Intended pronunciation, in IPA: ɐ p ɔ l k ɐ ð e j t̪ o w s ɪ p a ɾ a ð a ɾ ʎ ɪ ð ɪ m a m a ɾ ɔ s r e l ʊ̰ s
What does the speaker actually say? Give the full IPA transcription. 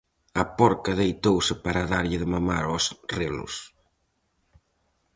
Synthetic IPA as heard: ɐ p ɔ ɾ k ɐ ð e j t̪ o w s ɪ p a ɾ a ð a ɾ ʎ ɪ ð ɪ m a m a ɾ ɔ s r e l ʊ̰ s